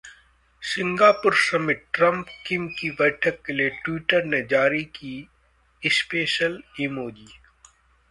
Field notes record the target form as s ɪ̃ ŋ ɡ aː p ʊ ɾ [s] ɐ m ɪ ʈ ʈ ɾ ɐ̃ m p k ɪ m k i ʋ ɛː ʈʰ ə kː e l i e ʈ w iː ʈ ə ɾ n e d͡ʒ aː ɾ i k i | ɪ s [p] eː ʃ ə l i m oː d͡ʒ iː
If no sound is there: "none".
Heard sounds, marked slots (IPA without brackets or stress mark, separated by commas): s, p